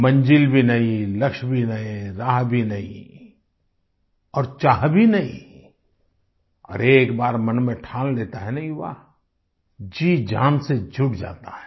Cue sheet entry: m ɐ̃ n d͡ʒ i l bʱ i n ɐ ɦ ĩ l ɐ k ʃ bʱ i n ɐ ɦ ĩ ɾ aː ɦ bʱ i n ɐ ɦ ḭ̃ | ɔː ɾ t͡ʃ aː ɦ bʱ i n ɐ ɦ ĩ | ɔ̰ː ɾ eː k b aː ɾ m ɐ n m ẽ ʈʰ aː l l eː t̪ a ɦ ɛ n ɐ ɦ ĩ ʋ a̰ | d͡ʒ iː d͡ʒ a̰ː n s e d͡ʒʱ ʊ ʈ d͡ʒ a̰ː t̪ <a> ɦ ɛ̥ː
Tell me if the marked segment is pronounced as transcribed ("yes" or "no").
yes